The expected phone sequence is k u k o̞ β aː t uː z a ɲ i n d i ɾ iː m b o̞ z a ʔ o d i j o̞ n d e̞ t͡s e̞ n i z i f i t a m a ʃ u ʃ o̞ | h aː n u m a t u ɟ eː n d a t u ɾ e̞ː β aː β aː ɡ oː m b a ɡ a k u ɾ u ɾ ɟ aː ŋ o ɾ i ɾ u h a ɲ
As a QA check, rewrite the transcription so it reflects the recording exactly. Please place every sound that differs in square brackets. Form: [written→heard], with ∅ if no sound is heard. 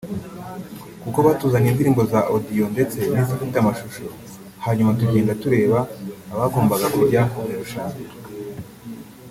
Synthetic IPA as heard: k u k o̞ β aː t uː z a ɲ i n d i ɾ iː m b o̞ z a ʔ o d i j o̞ n d e̞ t͡s e̞ n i z i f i t a m a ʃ u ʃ o̞ | h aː [n→ɲ] u m a t u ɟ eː n d a t u ɾ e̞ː β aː β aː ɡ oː m b a ɡ a k u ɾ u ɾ ɟ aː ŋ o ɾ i ɾ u [h→ʃ] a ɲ